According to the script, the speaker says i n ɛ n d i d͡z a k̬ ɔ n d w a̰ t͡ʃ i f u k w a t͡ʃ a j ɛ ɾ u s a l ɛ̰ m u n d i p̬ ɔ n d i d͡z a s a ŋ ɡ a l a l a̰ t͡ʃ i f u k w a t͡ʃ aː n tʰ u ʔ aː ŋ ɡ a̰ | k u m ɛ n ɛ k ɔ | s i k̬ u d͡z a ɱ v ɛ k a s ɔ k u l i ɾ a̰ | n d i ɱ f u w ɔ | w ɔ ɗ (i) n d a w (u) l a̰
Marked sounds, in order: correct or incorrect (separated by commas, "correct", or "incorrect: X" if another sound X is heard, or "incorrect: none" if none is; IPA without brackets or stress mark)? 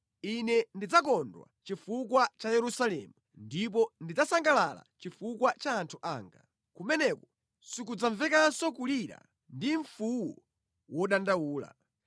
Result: incorrect: a, incorrect: uː